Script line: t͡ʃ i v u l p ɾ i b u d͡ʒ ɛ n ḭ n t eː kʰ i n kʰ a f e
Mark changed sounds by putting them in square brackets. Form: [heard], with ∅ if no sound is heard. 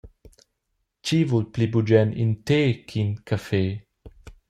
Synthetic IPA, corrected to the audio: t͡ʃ i v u l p [l] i b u d͡ʒ ɛ n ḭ n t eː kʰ i n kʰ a f e